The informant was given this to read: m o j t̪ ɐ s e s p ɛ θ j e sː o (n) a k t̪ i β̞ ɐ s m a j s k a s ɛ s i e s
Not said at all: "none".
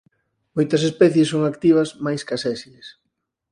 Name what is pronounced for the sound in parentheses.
ŋ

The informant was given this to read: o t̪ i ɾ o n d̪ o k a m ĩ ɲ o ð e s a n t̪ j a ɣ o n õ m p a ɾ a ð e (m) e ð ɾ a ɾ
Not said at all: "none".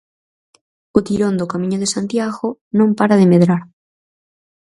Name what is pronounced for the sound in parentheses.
m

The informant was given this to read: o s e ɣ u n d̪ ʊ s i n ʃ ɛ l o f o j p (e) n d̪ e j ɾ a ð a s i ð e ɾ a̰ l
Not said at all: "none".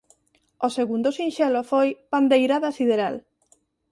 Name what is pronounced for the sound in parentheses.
a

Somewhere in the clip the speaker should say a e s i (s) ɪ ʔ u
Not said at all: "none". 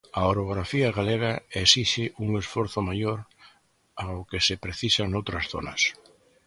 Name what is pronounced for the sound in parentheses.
ʃ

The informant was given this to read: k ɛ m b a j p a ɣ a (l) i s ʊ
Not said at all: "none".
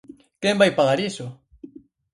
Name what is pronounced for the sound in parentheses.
ɾ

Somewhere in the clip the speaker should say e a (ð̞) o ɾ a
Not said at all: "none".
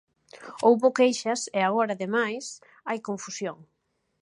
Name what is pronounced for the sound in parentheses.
ɣ̞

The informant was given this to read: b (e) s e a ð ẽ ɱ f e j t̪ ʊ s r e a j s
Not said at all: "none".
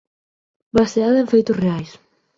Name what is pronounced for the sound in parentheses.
a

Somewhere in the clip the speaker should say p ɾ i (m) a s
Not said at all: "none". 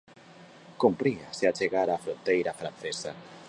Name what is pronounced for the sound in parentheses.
none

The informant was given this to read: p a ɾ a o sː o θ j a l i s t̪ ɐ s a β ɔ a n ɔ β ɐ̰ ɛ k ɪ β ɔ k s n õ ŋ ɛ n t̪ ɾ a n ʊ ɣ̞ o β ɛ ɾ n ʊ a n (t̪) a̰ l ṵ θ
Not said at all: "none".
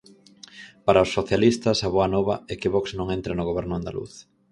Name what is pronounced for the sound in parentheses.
d̪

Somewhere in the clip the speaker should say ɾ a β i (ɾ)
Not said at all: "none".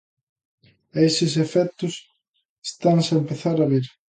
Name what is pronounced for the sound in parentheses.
ɾ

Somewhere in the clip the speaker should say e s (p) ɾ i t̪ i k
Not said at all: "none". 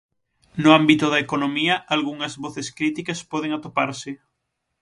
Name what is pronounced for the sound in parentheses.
k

